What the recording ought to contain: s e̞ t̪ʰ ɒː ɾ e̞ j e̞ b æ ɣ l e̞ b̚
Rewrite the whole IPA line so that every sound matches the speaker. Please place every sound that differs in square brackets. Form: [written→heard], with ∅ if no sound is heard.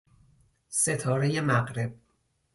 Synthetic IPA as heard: s e̞ t̪ʰ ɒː ɾ e̞ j e̞ [b→m] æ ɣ [l→ɾ] e̞ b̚

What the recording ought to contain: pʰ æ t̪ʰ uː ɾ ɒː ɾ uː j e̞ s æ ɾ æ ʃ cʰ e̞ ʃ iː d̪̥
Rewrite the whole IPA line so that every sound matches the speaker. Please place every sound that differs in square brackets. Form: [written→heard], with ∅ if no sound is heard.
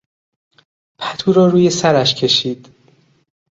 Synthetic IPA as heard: pʰ æ t̪ʰ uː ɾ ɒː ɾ uː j e̞ s æ ɾ æ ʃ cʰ e̞ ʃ iː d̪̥

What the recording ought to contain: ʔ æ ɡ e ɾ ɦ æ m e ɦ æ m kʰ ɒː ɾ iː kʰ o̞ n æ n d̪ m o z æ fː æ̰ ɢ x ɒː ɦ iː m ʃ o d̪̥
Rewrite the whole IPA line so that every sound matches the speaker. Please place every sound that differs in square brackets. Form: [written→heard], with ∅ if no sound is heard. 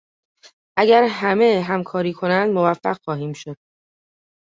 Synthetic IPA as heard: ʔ æ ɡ [e→æ] ɾ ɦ æ m e ɦ æ m kʰ ɒː ɾ iː kʰ o̞ n æ n d̪ m o [z→v] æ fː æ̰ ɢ x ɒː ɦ iː m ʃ o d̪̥

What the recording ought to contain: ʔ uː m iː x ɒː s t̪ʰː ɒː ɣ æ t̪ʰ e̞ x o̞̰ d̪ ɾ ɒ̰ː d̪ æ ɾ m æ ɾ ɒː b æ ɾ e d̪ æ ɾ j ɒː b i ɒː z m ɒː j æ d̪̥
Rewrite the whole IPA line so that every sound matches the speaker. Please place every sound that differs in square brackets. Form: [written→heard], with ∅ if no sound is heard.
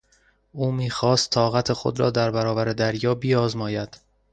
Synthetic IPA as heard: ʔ uː m iː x ɒː s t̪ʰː ɒː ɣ æ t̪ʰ e̞ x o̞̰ d̪ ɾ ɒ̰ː d̪ æ ɾ [m→b] æ ɾ ɒː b æ ɾ e d̪ æ ɾ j ɒː b i ɒː z m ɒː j æ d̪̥

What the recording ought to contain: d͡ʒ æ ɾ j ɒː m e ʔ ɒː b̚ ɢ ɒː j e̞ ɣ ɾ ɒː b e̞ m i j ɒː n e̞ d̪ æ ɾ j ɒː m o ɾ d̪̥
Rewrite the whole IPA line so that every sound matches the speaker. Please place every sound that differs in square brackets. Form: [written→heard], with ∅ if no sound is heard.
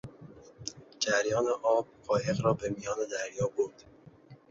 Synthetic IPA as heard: d͡ʒ æ ɾ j ɒː [m→n] e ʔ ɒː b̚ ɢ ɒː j e̞ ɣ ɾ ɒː b e̞ m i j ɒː n e̞ d̪ æ ɾ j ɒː [m→b] o ɾ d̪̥

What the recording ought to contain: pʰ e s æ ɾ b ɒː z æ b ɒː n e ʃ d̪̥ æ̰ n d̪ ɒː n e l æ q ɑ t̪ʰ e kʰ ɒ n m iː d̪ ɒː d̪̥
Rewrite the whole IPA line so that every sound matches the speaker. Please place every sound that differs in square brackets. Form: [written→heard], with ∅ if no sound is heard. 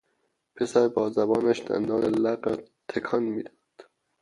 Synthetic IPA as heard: pʰ e s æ ɾ b ɒː z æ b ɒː n [e→æ] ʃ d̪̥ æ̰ n d̪ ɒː n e l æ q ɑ t̪ʰ e kʰ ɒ n m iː d̪ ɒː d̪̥

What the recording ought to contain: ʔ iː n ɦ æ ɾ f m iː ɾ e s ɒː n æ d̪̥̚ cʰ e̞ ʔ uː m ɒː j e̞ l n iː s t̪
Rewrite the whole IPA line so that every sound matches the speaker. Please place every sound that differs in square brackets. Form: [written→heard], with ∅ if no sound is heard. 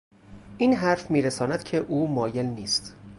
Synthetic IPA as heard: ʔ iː n ɦ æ ɾ f m iː ɾ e s ɒː n æ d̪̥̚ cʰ e̞ ʔ uː m ɒː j e̞ l n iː s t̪

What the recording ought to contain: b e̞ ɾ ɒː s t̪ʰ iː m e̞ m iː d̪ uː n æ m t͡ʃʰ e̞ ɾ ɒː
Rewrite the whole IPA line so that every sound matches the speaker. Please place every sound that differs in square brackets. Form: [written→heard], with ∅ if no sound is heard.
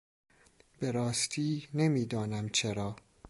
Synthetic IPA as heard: b e̞ ɾ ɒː s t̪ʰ iː [m→n] e̞ m iː d̪ [uː→ɒː] n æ m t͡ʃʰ e̞ ɾ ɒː

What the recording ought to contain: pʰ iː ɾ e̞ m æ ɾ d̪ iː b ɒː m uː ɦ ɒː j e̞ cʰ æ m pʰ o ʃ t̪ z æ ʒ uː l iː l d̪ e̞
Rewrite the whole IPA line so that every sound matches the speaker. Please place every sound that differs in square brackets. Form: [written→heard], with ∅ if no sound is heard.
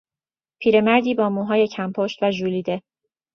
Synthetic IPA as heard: pʰ iː ɾ e̞ m æ ɾ d̪ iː b ɒː m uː ɦ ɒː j e̞ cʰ æ m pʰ o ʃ t̪ [z→v] æ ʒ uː l iː [l→∅] d̪ e̞

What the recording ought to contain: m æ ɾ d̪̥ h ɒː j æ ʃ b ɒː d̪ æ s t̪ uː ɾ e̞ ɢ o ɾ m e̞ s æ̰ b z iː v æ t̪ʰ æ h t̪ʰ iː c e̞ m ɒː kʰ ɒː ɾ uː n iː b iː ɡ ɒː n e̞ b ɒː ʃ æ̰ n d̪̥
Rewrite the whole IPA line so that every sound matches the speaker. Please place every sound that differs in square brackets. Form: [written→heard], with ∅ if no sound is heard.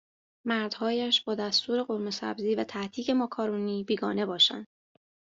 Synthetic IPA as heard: m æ ɾ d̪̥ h ɒː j æ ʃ b ɒː d̪ æ s t̪ uː ɾ e̞ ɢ o ɾ m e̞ s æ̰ b z iː v æ t̪ʰ æ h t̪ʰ iː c e̞ m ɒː kʰ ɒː ɾ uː n iː b iː ɡ ɒː n e̞ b ɒː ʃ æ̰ n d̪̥

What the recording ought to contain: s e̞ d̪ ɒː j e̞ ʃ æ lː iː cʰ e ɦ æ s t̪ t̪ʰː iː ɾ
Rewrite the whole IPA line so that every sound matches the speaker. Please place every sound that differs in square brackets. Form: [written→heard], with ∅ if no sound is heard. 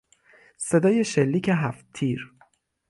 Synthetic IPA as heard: s e̞ d̪ ɒː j e̞ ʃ [æ→e] lː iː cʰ e ɦ æ [s→f] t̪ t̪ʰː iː ɾ

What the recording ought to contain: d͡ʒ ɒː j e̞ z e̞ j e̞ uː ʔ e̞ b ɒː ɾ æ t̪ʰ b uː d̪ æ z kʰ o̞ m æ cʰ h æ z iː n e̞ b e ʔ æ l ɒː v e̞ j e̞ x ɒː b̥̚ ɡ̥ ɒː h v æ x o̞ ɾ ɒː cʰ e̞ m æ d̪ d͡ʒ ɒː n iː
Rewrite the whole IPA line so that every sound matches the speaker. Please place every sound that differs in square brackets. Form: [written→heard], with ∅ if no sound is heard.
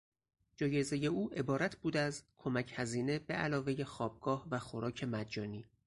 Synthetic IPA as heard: d͡ʒ ɒː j e̞ z e̞ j e̞ uː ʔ e̞ b ɒː ɾ æ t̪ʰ b uː d̪ æ z kʰ o̞ m æ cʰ h æ z iː n e̞ b e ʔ æ l ɒː v e̞ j e̞ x ɒː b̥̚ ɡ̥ ɒː h v æ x o̞ ɾ ɒː cʰ e̞ m æ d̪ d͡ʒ ɒː n iː

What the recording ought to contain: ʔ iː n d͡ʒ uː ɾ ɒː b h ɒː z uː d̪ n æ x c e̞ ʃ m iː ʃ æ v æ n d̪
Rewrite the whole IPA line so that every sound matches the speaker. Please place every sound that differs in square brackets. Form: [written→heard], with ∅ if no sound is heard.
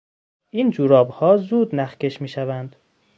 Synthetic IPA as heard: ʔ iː n d͡ʒ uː ɾ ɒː b h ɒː z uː d̪ n æ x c e̞ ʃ m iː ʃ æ v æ n d̪

